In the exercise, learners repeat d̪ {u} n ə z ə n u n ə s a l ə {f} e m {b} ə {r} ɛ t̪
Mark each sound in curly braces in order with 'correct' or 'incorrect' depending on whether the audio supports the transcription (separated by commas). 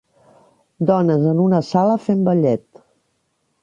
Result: incorrect, correct, correct, incorrect